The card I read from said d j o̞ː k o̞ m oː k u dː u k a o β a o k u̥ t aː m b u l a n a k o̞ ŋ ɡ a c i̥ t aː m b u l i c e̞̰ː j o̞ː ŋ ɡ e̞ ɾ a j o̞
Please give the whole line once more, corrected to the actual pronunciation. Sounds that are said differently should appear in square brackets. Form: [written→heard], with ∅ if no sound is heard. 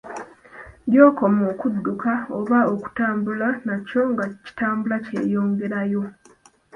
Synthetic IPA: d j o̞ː k o̞ m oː k u dː u k a o β a o k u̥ t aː m b u l a n a [k→c] o̞ ŋ ɡ a c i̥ t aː m b u l [i→a] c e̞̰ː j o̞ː ŋ ɡ e̞ ɾ a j o̞